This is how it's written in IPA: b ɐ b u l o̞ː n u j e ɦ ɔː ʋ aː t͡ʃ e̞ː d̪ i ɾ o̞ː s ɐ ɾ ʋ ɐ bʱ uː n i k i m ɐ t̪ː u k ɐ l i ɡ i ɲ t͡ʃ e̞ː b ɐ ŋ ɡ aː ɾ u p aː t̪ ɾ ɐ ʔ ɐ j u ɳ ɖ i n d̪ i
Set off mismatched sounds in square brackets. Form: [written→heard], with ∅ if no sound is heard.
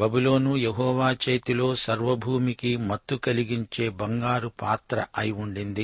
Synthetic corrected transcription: b ɐ b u l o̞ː n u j e ɦ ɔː ʋ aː t͡ʃ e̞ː [d̪→t̪] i [ɾ→l] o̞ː s ɐ ɾ ʋ ɐ bʱ uː [n→m] i k i m ɐ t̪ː u k ɐ l i ɡ i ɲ t͡ʃ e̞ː b ɐ ŋ ɡ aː ɾ u p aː t̪ ɾ ɐ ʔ ɐ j u ɳ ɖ i n d̪ i